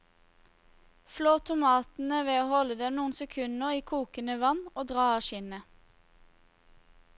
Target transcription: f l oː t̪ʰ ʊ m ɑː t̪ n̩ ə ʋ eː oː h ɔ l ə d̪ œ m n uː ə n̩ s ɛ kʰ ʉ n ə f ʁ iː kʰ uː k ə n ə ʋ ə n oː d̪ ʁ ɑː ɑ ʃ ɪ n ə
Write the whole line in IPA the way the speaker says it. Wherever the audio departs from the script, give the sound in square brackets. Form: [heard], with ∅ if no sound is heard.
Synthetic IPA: f l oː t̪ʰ ʊ m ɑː t̪ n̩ ə ʋ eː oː h ɔ l ə d̪ [ɛ] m n uː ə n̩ s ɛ kʰ ʉ n ə [∅] ʁ iː kʰ uː k ə n ə ʋ [ɑ] n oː d̪ ʁ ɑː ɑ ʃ ɪ n ə